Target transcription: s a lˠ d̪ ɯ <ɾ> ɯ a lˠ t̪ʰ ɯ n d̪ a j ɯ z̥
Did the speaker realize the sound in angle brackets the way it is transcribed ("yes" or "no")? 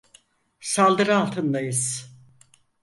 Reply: yes